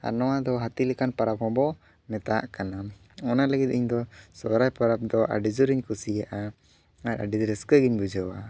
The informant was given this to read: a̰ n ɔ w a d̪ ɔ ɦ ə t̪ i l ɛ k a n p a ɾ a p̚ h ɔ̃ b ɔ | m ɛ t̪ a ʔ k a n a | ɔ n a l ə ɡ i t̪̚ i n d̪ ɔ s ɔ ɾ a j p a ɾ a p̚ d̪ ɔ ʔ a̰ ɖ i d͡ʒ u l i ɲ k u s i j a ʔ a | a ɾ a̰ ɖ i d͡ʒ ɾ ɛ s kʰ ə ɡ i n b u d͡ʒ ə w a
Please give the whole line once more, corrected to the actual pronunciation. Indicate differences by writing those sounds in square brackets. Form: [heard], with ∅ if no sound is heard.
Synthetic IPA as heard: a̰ n ɔ w a d̪ ɔ ɦ [a] t̪ i l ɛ k a n p a ɾ a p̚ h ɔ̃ b ɔ | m ɛ t̪ a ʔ k a n a | ɔ n a l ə ɡ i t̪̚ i [ɲ] d̪ ɔ s ɔ ɾ a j p a ɾ a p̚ d̪ ɔ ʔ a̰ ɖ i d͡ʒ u [ɾ] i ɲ k u s i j a ʔ a | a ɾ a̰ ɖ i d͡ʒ ɾ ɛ s [k] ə ɡ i [ɲ] b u d͡ʒ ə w a